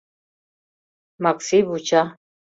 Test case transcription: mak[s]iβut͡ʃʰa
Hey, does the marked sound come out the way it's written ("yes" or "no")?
yes